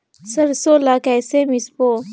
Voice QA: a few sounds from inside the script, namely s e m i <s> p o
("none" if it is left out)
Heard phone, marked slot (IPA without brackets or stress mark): s